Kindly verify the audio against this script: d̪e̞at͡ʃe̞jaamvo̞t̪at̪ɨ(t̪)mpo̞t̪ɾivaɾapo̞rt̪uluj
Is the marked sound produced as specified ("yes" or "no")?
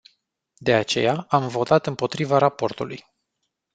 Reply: no